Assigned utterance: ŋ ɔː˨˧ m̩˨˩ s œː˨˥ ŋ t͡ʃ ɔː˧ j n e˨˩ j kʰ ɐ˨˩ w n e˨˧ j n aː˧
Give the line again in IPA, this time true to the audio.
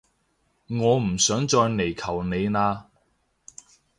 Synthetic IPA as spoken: ŋ ɔː˨˧ m̩˨˩ s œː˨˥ ŋ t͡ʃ ɔː˧ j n e˨˩ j kʰ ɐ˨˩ w n e˨˧ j n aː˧

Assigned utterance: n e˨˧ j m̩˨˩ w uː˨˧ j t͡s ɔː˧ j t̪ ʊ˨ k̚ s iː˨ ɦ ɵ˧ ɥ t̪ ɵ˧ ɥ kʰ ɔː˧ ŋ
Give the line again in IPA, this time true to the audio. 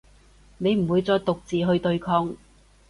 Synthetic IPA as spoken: n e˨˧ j m̩˨˩ w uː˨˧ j t͡s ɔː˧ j t̪ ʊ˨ k̚ t͡s iː˨ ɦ ɵ˧ ɥ t̪ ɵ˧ ɥ kʰ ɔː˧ ŋ

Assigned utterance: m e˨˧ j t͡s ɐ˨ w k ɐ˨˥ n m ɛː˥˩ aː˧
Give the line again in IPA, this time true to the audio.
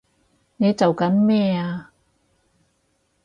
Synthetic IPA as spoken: n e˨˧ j t͡s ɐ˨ w k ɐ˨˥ n m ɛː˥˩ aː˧

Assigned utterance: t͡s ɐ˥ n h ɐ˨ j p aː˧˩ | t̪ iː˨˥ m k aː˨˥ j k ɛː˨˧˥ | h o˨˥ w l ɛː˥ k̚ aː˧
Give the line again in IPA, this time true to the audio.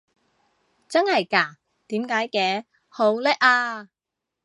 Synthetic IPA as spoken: t͡s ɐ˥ n h ɐ˨ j k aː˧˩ | t̪ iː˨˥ m k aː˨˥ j k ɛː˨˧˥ | h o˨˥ w l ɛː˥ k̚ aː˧

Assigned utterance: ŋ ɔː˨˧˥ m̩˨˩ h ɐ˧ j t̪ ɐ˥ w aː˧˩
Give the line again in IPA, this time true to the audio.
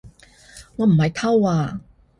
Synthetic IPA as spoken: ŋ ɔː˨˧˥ m̩˨˩ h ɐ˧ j t̪ʰ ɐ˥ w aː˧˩

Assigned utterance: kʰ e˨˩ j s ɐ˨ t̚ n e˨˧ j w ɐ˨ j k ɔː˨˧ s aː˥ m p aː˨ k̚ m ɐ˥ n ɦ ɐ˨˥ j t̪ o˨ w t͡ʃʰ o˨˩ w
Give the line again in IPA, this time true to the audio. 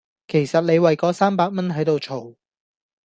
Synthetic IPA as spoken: kʰ e˨˩ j s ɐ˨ t̚ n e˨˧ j w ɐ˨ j k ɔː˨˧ s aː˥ m p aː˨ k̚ m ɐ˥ n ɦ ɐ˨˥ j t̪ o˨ w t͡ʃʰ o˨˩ w

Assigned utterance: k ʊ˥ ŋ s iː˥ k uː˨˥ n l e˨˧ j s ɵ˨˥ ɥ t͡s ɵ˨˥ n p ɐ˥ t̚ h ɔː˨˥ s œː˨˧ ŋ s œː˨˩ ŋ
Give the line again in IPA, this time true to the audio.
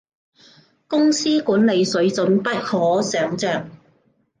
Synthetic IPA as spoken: k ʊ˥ ŋ s iː˥ k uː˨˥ n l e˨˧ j s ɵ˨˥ ɥ t͡s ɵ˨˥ n p ɐ˥ t̚ h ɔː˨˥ s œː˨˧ ŋ t͡s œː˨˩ ŋ

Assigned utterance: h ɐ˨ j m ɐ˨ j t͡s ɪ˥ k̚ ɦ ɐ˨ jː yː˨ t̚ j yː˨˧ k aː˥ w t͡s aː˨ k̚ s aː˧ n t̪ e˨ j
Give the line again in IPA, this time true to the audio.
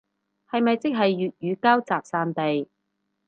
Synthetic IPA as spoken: h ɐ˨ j m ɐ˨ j t͡s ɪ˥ k̚ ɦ ɐ˨ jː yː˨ t̚ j yː˨˧ k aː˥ w t͡s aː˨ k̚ s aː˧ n t̪ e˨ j

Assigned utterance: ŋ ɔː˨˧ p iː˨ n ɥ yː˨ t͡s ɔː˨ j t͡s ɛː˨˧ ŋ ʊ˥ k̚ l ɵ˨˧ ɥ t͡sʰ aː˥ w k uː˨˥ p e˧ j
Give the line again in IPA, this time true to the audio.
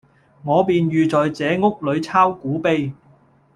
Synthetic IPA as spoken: ŋ ɔː˨˧ p iː˨ n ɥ yː˨ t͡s ɔː˨ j t͡s ɛː˨˧ ŋ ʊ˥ k̚ l ɵ˨˧ ɥ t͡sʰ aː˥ w k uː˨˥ p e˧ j

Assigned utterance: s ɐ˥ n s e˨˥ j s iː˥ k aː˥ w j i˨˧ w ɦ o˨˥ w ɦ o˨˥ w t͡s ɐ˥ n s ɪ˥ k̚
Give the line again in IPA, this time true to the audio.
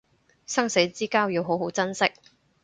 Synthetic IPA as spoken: s ɐ˥ ŋ s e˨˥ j t͡s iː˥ k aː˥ w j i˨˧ w ɦ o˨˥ w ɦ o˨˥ w t͡s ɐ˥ n s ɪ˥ k̚

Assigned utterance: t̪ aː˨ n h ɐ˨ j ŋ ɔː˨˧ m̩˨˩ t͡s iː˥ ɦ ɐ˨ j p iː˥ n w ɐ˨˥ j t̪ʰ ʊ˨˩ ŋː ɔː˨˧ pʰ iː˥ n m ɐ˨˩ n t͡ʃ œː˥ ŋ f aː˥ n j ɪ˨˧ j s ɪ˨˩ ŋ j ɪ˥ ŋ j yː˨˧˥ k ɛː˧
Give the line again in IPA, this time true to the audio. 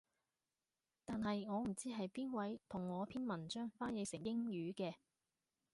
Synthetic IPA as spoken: t̪ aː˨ n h ɐ˨ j ŋ ɔː˨˧ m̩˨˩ t͡s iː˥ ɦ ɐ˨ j p iː˥ n w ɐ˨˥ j t̪ʰ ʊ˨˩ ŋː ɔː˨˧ pʰ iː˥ n m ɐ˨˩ n t͡ʃ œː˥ ŋ f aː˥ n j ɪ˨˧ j s ɪ˨˩ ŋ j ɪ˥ ŋ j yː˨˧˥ k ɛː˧

